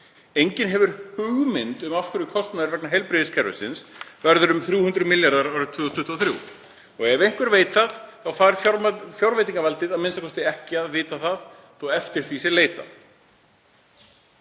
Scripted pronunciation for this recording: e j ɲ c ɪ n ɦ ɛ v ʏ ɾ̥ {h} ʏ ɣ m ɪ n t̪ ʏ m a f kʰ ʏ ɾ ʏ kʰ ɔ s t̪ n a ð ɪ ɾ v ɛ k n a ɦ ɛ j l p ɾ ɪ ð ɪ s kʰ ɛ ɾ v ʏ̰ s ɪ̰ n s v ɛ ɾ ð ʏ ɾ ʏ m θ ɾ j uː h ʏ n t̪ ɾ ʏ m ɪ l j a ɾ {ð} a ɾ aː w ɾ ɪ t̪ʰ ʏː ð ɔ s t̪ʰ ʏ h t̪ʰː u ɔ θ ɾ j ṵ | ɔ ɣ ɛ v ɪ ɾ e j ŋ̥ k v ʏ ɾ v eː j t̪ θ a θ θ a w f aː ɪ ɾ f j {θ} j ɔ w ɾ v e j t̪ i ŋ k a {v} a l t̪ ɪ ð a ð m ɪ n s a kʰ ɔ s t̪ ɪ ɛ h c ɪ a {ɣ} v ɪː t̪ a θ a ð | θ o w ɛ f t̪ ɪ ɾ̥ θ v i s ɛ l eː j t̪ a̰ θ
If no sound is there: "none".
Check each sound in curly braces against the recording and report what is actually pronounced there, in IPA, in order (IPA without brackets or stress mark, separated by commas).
h, ð, f, v, ð